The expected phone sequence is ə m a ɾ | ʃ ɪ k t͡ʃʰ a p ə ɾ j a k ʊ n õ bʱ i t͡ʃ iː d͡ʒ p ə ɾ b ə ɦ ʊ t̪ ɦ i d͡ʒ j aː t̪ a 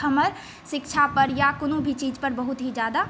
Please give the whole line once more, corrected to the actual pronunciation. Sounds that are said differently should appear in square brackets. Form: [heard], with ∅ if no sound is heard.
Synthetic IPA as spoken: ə m [ə] ɾ | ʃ ɪ k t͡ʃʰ a p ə ɾ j a k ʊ n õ bʱ i t͡ʃ iː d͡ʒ p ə ɾ b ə ɦ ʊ t̪ ɦ i d͡ʒ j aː [d̪] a